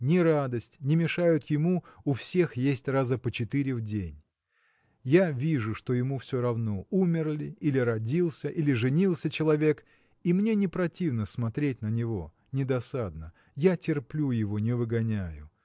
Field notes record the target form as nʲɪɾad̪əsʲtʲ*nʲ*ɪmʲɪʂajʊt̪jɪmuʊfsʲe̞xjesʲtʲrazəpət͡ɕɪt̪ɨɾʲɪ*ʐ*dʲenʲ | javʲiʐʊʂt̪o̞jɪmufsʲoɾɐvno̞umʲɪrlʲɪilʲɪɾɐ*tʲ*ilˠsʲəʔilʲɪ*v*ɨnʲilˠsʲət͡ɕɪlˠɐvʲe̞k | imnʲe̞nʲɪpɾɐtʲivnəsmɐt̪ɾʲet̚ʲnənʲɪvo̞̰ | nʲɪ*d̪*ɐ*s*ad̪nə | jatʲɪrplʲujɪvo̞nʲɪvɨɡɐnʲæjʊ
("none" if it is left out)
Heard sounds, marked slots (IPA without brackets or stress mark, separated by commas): nʲ, v, dʲ, ʐ, d̪, s